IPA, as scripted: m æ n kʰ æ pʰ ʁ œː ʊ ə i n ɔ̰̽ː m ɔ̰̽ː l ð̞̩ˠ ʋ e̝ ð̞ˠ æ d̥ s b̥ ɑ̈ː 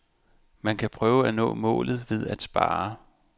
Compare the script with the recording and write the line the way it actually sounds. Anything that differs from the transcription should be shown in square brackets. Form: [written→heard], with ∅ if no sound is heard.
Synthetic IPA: m æ n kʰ æ pʰ ʁ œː ʊ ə [i→æ] n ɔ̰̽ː m ɔ̰̽ː l ð̞̩ˠ ʋ e̝ ð̞ˠ æ d̥ s b̥ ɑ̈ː